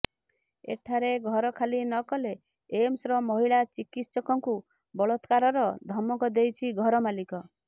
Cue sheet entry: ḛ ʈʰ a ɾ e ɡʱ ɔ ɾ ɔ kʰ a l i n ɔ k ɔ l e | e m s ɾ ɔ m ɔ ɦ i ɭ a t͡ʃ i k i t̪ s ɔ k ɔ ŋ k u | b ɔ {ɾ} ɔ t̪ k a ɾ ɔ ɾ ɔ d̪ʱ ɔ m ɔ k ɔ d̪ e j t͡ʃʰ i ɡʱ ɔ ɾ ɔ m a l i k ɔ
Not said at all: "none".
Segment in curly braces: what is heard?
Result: ɭ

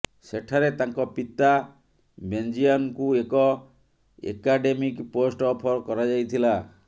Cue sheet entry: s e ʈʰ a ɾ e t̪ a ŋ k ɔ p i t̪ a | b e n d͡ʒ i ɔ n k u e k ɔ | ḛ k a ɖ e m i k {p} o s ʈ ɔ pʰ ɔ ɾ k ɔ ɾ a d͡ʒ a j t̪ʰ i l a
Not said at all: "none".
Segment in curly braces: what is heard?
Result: p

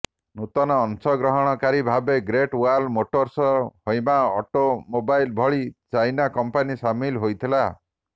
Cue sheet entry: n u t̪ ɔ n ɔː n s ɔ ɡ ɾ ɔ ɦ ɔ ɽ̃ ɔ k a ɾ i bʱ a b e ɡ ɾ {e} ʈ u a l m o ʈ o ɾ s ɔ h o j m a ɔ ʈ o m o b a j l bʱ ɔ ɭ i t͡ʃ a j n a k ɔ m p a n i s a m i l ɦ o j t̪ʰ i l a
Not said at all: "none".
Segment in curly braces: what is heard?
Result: e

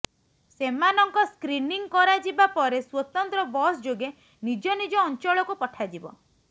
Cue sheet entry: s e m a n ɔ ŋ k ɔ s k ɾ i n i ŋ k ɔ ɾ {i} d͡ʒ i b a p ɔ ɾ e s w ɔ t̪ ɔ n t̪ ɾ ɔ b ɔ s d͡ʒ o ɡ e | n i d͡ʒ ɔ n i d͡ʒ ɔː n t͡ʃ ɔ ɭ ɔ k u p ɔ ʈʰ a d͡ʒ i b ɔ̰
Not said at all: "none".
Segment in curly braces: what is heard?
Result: a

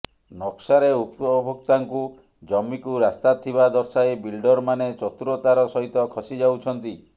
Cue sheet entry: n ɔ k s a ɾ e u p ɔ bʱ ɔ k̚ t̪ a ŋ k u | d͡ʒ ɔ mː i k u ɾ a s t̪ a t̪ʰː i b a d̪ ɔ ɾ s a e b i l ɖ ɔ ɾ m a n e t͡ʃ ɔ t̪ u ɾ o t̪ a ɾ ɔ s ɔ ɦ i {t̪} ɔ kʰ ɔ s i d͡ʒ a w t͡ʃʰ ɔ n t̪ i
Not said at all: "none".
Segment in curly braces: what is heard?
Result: t̪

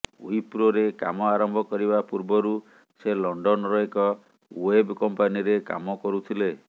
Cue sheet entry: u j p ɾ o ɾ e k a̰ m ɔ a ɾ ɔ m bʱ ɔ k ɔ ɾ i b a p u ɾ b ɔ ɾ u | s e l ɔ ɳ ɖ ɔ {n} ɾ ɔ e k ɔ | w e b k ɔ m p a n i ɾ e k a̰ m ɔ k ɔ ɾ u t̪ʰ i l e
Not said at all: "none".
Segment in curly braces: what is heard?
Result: n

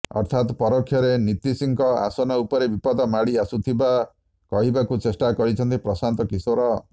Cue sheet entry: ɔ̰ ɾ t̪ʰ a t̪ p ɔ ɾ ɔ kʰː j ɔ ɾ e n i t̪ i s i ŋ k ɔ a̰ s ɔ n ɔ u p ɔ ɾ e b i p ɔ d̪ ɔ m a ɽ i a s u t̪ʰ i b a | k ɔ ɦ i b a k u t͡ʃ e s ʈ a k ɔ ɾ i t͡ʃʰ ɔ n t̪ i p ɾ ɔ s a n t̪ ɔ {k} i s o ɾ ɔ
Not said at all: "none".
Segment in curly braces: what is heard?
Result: k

